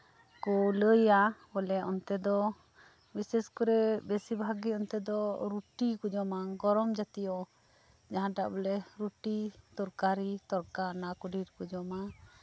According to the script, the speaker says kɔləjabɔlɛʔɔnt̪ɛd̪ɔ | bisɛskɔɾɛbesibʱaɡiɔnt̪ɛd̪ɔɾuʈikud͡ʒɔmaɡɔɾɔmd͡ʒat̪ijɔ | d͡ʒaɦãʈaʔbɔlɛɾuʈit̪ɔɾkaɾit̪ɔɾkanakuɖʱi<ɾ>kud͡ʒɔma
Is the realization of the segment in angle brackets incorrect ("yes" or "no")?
no